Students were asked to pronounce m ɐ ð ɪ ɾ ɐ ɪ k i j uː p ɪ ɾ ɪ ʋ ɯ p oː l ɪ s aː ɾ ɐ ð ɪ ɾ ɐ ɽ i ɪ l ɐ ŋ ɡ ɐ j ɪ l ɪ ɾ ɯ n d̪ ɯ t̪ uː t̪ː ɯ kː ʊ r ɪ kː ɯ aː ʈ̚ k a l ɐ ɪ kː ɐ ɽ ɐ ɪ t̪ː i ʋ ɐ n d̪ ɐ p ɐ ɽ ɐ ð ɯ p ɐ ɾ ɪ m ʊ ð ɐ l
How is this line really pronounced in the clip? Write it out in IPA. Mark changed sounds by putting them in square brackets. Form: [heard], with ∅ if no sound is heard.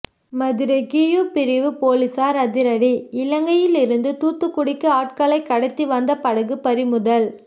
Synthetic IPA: m ɐ ð ɪ ɾ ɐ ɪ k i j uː p ɪ ɾ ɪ ʋ ɯ p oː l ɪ s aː ɾ ɐ ð ɪ ɾ ɐ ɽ i ɪ l ɐ ŋ ɡ ɐ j ɪ l ɪ ɾ ɯ n d̪ ɯ t̪ uː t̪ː ɯ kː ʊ [ɽ] ɪ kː ɯ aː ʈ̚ k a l ɐ ɪ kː ɐ ɽ ɐ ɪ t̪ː i ʋ ɐ n d̪ ɐ p ɐ ɽ ɐ [ɣ] ɯ p ɐ ɾ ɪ m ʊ ð ɐ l